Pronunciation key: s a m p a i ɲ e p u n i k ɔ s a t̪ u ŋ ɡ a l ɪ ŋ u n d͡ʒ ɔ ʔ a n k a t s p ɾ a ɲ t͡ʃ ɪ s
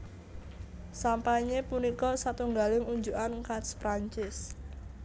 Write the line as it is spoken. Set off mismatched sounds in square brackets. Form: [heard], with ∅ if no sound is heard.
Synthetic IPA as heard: s a m p a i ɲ e p u n i k ɔ s a t̪ u ŋ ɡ a l ɪ ŋ u [ɲ] d͡ʒ [u] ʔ a n k a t s p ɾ a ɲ t͡ʃ ɪ s